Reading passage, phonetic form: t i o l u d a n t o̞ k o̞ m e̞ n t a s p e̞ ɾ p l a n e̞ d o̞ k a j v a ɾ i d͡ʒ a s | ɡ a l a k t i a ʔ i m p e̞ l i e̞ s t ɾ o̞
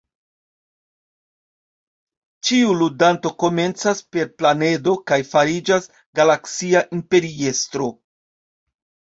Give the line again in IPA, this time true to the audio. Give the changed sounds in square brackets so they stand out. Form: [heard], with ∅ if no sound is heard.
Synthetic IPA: [t͡ʃ] i [u] l u d a n t o̞ k o̞ m e̞ n [t͡s] a s p e̞ ɾ p l a n e̞ d o̞ k a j [f] a ɾ i d͡ʒ a s | ɡ a l a k [s] i a ʔ i m p e̞ [ɾ] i e̞ s t ɾ o̞